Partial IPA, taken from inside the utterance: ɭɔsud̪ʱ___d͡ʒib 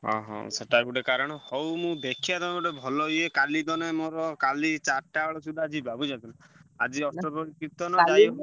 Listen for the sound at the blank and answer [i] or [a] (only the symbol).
a